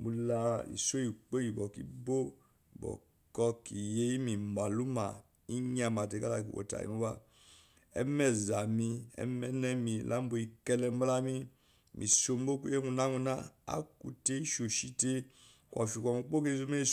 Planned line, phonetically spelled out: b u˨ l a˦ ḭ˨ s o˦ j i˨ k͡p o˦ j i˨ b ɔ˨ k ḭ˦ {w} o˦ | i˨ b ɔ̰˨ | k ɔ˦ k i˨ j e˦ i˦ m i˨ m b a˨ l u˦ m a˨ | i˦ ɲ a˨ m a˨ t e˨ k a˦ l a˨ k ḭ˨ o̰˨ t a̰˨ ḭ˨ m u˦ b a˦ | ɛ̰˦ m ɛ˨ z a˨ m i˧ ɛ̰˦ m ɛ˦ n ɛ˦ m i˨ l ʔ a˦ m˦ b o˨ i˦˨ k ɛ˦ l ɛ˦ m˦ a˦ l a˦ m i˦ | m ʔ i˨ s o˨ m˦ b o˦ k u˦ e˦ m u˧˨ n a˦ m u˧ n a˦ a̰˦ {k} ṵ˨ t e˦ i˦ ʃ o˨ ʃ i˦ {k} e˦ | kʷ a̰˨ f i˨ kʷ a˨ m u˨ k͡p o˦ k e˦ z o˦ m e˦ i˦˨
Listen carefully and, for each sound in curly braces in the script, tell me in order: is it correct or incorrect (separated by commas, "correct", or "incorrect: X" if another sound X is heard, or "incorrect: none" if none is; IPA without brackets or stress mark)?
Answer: incorrect: b, correct, incorrect: t